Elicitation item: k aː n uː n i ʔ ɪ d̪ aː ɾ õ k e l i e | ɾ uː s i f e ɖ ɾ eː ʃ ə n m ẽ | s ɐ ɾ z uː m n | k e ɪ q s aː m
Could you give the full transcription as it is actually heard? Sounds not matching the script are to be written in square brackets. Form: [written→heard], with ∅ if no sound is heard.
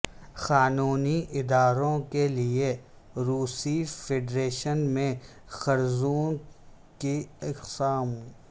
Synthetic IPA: [k→x] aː n uː n i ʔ ɪ d̪ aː ɾ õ k e l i e | ɾ uː s i f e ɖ ɾ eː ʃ ə n m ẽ | [s→x] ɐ ɾ z uː [m→∅] n | k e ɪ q s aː m